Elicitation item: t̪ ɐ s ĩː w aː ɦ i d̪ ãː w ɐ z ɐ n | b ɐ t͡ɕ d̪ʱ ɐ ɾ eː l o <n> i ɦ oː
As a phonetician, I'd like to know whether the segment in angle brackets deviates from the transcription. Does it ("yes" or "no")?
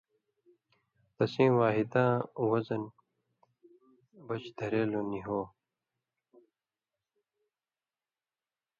no